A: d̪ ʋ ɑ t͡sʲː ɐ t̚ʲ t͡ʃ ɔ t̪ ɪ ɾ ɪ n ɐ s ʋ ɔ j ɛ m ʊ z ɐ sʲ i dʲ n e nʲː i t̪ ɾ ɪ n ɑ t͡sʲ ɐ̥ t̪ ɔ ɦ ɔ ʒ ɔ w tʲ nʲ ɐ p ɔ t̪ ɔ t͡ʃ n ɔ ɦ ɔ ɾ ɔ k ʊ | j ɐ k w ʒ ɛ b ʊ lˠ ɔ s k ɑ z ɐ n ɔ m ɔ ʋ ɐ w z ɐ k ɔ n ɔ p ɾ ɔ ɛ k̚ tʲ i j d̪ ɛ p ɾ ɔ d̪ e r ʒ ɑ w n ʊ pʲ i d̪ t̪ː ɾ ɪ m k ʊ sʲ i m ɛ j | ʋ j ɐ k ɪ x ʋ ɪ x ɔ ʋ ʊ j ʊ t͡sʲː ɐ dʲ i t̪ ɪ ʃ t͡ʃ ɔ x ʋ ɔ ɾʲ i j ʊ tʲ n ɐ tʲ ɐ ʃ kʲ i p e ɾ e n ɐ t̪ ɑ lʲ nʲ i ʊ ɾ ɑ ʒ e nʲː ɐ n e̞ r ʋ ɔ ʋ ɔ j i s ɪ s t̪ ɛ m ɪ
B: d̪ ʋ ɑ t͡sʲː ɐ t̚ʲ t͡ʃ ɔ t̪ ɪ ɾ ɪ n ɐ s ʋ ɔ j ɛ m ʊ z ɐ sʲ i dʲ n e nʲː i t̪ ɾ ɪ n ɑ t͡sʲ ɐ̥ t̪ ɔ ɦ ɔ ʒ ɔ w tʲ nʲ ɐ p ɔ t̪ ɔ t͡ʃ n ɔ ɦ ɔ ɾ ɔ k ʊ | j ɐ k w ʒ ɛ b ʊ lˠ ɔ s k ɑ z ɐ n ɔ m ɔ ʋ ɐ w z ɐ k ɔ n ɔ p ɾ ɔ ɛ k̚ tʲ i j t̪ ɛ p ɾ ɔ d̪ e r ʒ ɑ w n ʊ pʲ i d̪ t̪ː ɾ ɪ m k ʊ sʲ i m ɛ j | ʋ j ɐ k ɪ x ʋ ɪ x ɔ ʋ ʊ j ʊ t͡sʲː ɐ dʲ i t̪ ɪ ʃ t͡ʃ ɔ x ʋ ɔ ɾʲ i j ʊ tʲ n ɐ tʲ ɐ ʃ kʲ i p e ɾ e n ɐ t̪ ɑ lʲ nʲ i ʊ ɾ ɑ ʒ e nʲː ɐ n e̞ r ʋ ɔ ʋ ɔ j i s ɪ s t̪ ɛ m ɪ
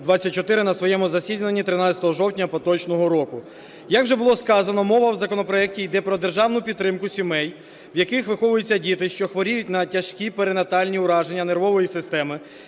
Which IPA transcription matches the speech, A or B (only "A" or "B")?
A